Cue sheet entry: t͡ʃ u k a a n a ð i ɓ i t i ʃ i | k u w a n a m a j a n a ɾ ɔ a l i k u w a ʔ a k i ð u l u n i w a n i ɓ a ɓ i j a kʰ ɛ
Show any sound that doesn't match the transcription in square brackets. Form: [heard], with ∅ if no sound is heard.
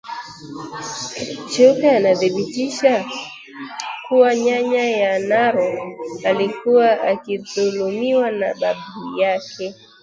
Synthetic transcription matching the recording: t͡ʃ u k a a n a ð i ɓ i t i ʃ [a] | k u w a [ɲ] a [ɲ] a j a n a ɾ ɔ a l i k u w a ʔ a k i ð u l u [m] i w a n [a] ɓ a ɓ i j a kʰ ɛ